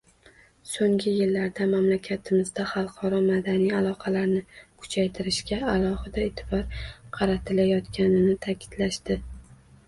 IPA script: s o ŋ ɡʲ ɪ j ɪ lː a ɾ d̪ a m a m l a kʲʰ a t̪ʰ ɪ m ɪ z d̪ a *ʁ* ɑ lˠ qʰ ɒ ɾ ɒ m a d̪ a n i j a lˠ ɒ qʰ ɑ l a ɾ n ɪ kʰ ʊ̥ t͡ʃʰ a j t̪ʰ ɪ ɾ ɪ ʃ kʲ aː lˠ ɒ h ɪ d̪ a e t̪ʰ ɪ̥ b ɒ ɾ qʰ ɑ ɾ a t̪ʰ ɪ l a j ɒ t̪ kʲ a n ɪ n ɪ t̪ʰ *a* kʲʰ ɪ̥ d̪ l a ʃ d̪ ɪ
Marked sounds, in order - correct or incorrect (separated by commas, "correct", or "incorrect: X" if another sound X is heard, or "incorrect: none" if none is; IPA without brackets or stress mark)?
incorrect: χ, correct